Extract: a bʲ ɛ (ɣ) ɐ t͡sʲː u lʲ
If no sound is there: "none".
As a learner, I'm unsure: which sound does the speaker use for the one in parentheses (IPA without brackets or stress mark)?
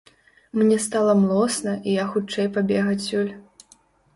ɣ